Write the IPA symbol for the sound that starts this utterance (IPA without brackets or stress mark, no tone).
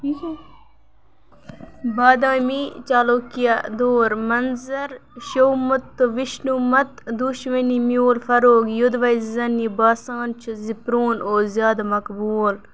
b